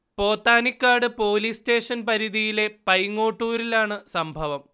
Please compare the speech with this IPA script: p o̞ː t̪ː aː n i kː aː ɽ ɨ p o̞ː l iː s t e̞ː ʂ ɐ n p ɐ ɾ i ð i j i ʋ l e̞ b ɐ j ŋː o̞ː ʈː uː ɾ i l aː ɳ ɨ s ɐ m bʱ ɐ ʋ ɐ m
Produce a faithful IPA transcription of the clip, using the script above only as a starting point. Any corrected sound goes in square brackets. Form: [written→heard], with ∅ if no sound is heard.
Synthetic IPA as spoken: p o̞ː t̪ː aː n i kː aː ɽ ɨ p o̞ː l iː s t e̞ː ʂ ɐ n p ɐ ɾ i ð i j i [ʋ→∅] l e̞ [b→p] ɐ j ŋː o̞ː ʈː uː ɾ i l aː ɳ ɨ s ɐ m bʱ ɐ ʋ ɐ m